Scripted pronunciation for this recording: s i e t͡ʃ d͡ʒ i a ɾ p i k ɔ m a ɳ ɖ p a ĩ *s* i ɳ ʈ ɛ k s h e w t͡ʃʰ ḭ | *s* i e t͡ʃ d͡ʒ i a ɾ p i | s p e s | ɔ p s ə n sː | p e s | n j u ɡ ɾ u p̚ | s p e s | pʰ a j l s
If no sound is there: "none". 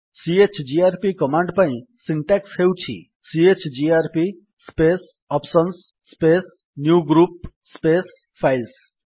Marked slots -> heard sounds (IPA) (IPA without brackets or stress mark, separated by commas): s, s